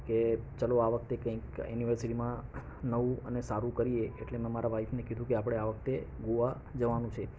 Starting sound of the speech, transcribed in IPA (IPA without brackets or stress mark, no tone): k